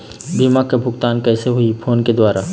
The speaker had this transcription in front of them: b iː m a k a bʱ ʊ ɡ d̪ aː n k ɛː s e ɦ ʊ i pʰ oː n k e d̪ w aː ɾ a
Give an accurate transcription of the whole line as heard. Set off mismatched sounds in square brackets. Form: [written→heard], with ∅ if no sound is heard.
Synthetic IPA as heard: b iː m a k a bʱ ʊ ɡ [d̪→t̪] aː n k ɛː s e ɦ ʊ i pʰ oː n k e d̪ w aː ɾ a